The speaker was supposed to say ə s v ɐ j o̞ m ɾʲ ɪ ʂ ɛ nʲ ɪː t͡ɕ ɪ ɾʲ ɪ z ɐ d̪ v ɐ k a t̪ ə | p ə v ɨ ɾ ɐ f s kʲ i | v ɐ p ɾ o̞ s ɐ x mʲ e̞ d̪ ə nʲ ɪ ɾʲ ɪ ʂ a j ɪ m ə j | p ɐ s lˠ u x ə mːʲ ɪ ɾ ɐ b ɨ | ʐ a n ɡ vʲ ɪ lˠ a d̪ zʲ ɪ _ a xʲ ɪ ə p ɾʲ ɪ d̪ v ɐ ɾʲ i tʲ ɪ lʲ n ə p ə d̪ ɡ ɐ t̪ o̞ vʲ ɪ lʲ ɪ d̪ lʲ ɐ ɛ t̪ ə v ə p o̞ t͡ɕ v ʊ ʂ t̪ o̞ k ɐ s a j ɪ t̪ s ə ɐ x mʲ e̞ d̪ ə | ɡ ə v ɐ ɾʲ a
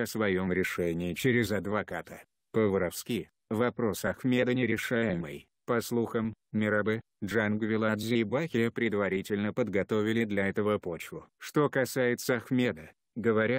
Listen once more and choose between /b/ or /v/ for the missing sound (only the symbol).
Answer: b